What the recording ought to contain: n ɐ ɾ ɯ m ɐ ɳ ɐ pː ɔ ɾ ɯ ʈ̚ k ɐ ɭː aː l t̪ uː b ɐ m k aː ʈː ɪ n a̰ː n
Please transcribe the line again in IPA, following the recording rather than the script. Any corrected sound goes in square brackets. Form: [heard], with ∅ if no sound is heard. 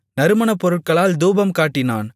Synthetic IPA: n ɐ ɾ ɯ m ɐ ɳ ɐ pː ɔ ɾ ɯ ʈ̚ k ɐ [ɭ] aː l [d̪] uː b ɐ m k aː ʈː ɪ n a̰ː n